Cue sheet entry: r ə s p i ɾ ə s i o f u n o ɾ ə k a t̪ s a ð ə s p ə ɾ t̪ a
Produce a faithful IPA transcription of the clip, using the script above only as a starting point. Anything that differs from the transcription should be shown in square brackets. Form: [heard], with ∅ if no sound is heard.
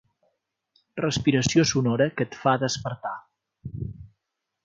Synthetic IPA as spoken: r ə s p i ɾ ə s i o [s] u n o ɾ ə k [ə] t̪ [f] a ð ə s p ə ɾ t̪ a